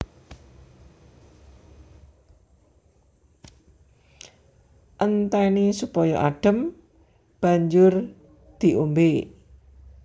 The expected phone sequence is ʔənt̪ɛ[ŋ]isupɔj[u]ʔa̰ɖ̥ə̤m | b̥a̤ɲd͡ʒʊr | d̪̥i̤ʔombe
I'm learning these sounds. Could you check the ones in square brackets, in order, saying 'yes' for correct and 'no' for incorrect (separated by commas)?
no, no